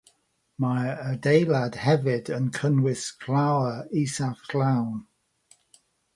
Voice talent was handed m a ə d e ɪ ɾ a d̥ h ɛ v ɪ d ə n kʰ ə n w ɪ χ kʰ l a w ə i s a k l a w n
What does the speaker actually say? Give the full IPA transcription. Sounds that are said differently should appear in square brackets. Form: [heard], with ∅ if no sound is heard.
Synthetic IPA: m a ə d e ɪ [l] a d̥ h ɛ v ɪ d ə n kʰ ə n w ɪ [s] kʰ l a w ə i s a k l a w n